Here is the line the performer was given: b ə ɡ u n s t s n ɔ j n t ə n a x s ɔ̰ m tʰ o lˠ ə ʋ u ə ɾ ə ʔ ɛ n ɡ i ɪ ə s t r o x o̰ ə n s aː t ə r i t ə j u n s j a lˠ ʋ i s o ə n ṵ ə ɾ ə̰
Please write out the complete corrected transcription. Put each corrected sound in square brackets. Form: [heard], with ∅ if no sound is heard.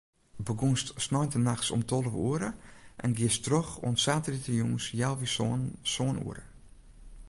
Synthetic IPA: b ə ɡ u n s t s n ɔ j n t ə n a x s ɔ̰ m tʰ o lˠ ə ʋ u ə ɾ ə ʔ ɛ n ɡ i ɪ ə s t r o x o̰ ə n s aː t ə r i t ə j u [ŋ] s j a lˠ ʋ i s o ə n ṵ ə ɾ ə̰